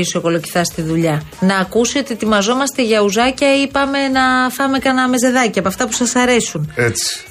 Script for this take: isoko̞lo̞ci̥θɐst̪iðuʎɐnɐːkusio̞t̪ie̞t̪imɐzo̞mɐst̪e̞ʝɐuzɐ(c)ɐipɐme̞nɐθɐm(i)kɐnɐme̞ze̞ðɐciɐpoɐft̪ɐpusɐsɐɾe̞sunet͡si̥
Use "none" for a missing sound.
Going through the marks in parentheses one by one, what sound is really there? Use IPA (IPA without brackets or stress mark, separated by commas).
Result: c, e